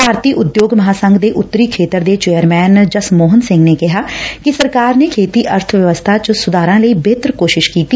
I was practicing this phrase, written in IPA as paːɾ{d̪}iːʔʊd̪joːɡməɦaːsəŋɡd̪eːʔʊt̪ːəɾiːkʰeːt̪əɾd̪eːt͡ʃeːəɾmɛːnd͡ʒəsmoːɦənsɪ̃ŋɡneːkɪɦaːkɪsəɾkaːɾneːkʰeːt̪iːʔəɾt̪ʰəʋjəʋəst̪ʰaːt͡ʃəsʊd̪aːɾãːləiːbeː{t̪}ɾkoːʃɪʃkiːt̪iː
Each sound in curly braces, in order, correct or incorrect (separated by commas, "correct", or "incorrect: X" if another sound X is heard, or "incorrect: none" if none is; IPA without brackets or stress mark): incorrect: t̪, correct